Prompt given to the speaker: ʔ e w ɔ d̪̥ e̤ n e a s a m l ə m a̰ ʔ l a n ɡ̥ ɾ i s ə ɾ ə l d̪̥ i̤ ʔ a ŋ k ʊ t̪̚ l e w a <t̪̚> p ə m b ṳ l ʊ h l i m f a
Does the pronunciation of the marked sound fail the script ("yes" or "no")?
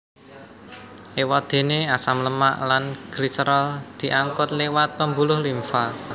no